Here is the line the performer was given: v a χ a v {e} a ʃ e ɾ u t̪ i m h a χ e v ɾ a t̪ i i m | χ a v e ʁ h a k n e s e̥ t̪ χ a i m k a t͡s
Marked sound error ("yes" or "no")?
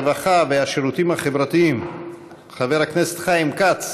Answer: no